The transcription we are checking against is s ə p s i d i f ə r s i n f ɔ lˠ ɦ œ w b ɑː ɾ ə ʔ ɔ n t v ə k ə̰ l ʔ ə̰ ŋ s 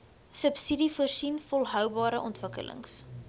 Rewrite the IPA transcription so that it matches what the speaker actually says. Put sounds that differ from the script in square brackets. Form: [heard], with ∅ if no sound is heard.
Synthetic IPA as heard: s ə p s i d i f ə r s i n f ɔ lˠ ɦ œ w b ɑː ɾ ə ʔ ɔ n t v ə k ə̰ l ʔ ə̰ ŋ s